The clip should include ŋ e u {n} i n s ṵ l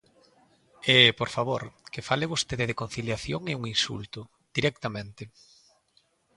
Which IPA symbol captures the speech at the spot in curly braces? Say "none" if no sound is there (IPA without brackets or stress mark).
ŋ